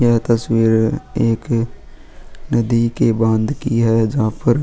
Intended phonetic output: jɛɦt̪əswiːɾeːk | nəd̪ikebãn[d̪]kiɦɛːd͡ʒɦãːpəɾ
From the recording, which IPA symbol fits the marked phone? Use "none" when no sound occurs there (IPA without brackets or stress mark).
d̪